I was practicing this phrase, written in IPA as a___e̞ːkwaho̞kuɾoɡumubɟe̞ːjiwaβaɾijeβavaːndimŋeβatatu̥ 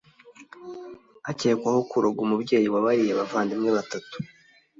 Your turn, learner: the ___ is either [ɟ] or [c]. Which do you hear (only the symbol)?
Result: c